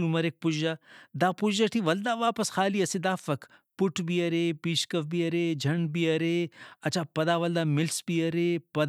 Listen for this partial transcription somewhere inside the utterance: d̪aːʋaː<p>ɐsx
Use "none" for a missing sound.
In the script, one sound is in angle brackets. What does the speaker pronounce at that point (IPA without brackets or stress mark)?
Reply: p